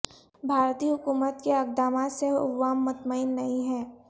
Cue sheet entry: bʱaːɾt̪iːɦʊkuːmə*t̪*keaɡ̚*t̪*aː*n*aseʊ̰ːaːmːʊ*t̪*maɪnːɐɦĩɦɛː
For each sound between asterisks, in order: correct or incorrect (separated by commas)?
correct, incorrect, incorrect, correct